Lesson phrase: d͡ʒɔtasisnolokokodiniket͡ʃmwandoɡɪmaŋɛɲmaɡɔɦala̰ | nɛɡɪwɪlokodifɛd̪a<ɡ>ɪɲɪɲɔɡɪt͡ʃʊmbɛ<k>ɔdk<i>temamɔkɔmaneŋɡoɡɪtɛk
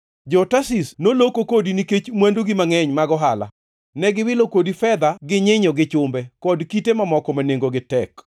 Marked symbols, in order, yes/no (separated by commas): yes, yes, yes